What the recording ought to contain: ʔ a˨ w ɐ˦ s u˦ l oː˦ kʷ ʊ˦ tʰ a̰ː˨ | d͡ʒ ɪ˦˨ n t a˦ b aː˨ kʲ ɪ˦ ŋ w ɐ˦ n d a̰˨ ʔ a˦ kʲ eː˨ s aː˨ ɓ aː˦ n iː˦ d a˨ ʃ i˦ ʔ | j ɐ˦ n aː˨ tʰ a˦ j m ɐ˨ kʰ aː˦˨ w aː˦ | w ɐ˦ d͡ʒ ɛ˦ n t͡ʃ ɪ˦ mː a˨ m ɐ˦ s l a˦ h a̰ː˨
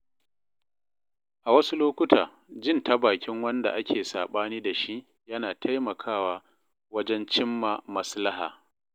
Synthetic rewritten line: ʔ a˨ w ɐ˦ s u˦ l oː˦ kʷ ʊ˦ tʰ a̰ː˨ | d͡ʒ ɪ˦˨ n t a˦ b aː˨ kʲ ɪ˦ ŋ w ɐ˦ n d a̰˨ ʔ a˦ kʲ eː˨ s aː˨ ɓ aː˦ n iː˦ d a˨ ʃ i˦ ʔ | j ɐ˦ n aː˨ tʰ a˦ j m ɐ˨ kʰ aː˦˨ w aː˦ | w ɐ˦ d͡ʒ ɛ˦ n t͡ʃ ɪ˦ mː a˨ m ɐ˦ s l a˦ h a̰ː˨

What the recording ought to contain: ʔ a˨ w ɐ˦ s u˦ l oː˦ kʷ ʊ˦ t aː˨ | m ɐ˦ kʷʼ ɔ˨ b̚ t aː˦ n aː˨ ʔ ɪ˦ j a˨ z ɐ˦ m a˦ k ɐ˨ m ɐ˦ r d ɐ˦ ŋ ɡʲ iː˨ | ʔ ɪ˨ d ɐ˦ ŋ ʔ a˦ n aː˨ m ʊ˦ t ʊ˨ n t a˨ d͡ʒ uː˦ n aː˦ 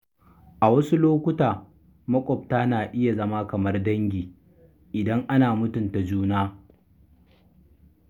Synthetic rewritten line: ʔ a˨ w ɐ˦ s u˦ l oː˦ kʷ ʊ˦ t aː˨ | m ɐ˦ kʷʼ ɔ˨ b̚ t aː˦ n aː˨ ʔ ɪ˦ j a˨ z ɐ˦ m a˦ k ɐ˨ m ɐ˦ r d ɐ˦ ŋ ɡʲ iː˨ | ʔ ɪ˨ d ɐ˦ ŋ ʔ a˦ n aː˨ m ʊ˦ t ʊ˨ n t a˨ d͡ʒ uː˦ n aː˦

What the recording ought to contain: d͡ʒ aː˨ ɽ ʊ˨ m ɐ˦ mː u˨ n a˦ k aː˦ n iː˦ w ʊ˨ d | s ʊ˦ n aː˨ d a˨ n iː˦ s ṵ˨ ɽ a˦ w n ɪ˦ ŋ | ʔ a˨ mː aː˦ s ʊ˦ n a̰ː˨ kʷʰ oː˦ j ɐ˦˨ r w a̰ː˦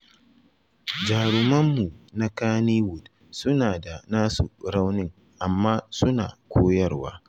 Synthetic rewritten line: d͡ʒ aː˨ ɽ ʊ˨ m ɐ˦ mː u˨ n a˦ k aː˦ n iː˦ w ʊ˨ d | s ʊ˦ n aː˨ d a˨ n aː˦ s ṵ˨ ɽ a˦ w n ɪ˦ ŋ | ʔ a˨ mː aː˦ s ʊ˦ n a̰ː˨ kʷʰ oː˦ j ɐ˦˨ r w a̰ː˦

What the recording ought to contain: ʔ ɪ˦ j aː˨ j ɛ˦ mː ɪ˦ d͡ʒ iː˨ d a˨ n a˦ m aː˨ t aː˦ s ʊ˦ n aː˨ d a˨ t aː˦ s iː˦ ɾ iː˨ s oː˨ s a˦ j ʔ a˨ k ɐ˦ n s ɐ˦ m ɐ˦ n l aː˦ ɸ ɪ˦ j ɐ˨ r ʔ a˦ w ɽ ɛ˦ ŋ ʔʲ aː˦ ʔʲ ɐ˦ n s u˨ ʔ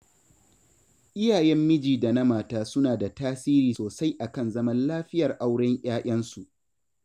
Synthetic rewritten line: ʔ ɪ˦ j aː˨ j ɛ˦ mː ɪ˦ d͡ʒ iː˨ d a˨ n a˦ m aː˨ t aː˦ s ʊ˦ n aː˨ d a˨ t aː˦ s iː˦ ɾ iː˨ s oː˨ s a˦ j ʔ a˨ k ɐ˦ n z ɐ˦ m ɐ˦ n l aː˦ ɸ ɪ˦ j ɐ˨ r ʔ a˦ w ɽ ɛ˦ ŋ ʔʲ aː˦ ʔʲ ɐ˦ n s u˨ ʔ

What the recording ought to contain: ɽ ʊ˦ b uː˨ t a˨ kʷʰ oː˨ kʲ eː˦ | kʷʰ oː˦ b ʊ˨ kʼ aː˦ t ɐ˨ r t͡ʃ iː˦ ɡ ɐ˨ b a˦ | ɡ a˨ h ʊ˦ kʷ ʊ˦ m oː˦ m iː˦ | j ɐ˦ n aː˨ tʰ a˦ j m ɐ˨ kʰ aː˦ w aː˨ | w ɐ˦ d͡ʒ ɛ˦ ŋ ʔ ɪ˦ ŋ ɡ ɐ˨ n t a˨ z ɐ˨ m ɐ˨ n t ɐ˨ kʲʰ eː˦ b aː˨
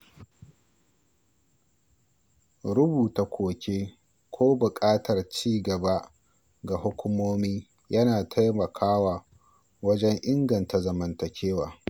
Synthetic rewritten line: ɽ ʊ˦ b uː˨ t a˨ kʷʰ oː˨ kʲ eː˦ | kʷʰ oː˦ b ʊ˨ kʼ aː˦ t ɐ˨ r t͡ʃ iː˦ ɡ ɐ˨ b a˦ | ɡ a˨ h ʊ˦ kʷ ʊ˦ m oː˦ m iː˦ | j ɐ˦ n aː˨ tʰ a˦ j m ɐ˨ kʰ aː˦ w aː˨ | w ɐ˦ d͡ʒ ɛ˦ ŋ ʔ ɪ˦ ŋ ɡ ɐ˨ n t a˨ z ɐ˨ m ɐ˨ n t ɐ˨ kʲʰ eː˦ w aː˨

